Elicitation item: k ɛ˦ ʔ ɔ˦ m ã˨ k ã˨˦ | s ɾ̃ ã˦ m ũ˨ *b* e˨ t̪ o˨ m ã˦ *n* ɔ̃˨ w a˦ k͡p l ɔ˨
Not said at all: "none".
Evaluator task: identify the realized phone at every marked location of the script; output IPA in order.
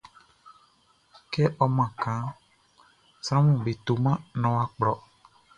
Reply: b, n

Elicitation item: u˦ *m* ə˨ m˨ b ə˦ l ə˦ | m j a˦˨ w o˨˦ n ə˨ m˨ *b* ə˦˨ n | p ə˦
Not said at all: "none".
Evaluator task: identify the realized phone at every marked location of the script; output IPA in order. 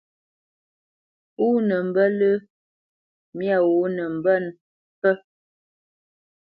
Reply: n, b

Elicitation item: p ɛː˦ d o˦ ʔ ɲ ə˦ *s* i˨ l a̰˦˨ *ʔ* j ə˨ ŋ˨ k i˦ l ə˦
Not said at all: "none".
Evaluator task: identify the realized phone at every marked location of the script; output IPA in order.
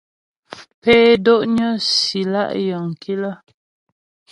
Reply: s, ʔ

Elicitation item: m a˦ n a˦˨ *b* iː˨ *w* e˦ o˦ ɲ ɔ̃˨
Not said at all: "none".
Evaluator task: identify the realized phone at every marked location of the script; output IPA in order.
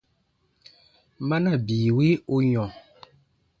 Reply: b, w

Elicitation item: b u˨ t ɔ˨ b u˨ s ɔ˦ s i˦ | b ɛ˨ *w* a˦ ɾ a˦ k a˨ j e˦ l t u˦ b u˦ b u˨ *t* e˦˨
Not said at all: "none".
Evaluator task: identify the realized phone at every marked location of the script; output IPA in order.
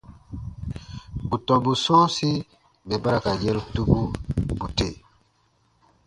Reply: b, t

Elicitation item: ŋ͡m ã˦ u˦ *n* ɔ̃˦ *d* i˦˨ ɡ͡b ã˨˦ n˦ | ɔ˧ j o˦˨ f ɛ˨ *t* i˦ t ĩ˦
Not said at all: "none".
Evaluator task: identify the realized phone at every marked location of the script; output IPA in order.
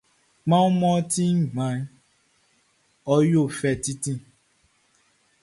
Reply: m, t, t

